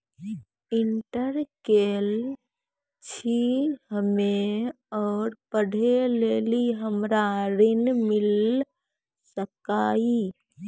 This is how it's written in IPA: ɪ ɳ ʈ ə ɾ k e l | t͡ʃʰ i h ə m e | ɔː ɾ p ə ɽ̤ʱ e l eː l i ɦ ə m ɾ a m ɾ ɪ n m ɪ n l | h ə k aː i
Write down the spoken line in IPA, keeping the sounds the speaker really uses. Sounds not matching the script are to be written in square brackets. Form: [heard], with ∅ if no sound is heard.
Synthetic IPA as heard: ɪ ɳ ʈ ə ɾ k e l | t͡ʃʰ i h ə m e | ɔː ɾ p ə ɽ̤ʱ e l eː l i ɦ ə m ɾ a [∅] ɾ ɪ n m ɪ [∅] l | [s] ə k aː i